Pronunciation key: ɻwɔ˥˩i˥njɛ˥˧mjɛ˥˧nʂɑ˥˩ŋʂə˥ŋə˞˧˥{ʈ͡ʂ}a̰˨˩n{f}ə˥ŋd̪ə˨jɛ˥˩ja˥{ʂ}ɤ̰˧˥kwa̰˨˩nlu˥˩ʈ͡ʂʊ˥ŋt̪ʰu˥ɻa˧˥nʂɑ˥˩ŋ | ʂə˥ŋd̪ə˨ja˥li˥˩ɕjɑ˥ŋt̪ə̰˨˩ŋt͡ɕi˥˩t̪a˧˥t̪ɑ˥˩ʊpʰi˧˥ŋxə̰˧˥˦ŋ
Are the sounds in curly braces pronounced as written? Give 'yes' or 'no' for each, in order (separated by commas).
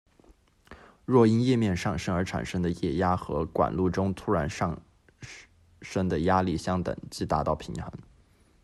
no, no, no